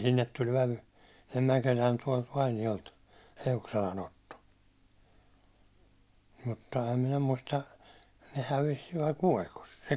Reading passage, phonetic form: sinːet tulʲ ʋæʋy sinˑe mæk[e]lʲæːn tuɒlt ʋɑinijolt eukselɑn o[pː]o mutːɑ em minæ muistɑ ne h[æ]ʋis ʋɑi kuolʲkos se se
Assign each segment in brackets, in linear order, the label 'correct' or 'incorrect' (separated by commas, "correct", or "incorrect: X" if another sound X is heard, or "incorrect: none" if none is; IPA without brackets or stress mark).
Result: correct, incorrect: tː, correct